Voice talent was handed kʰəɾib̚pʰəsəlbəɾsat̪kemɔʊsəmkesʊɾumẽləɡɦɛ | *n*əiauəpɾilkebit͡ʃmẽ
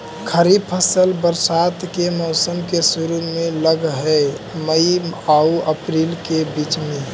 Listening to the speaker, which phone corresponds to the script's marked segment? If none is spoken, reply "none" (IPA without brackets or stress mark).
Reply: m